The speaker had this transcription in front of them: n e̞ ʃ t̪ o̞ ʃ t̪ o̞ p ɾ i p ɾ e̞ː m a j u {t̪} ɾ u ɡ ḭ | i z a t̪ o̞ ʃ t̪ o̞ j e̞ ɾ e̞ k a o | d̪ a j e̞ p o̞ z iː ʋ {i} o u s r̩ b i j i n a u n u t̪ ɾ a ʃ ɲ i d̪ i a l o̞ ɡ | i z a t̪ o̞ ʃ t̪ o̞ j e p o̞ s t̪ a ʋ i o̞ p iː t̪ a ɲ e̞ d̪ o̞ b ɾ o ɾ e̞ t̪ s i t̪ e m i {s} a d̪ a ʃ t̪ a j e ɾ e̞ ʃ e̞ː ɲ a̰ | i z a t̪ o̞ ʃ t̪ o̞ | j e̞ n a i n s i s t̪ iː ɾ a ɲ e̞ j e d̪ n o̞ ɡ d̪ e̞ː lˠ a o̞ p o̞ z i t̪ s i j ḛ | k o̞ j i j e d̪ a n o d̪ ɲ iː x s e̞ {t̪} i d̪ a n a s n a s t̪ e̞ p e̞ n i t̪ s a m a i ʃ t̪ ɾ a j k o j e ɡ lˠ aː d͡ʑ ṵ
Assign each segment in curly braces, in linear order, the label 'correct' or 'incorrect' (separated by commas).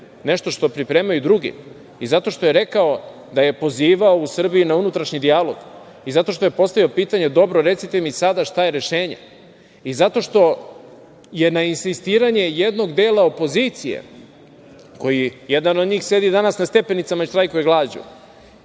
incorrect, incorrect, correct, incorrect